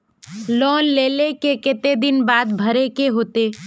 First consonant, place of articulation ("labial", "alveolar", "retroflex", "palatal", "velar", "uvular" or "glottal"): alveolar